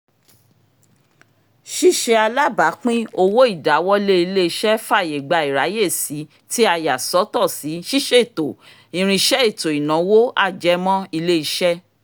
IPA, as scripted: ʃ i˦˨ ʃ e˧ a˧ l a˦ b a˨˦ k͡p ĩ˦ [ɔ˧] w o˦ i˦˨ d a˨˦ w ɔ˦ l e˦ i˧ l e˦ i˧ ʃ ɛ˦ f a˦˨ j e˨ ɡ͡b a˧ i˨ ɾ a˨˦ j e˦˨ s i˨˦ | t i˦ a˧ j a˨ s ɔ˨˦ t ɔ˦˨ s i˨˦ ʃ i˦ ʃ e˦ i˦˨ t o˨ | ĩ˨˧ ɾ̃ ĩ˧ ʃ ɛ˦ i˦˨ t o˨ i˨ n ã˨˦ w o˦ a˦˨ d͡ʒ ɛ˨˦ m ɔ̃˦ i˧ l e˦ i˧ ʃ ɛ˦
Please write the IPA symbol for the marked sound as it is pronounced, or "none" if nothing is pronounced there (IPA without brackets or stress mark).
o˧